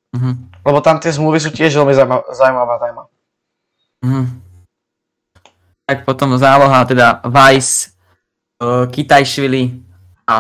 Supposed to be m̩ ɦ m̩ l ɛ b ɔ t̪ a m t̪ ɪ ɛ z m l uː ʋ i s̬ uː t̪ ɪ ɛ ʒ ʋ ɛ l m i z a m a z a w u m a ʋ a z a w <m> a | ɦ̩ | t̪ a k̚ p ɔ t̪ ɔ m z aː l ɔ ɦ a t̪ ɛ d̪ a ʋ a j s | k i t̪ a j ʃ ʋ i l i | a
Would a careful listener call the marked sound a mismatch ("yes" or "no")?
no